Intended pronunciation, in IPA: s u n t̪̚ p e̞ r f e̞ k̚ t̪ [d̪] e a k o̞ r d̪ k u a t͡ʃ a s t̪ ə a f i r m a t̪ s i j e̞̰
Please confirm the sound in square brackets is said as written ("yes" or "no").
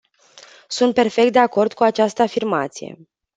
yes